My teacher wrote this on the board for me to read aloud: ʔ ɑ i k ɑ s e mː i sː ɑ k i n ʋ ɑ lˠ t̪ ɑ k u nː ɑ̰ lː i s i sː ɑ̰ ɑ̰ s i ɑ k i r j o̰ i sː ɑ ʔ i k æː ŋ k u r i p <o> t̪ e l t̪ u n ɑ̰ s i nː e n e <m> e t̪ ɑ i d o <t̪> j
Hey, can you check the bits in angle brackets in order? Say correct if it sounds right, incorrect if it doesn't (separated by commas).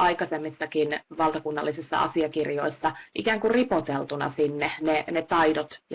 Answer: correct, incorrect, correct